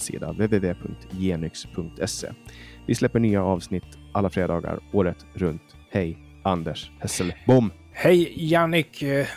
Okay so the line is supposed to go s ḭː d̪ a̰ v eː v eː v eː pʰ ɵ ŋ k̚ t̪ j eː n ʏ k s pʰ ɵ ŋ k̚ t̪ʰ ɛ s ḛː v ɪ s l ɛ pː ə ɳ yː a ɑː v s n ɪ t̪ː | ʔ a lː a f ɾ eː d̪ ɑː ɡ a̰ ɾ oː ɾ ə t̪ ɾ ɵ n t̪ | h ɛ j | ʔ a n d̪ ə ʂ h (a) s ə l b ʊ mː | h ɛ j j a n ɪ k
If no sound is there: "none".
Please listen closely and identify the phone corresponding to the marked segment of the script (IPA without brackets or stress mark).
ɛ